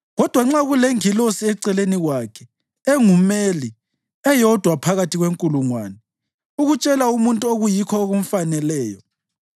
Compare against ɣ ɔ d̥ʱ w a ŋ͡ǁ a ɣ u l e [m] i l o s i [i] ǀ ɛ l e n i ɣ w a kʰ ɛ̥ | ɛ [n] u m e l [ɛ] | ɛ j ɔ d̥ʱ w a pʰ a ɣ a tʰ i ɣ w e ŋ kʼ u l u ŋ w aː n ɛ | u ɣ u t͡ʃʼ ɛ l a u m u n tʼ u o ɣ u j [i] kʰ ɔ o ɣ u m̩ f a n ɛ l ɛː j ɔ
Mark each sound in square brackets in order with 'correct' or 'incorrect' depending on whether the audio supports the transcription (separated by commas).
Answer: incorrect, incorrect, incorrect, incorrect, correct